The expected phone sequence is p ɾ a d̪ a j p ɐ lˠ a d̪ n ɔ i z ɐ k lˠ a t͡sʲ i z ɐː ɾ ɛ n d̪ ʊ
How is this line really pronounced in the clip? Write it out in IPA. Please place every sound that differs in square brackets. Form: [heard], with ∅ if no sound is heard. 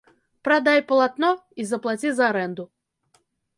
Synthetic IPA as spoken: p ɾ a d̪ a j p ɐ lˠ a [t̪] n ɔ i z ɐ [p] lˠ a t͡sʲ i z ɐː ɾ ɛ n d̪ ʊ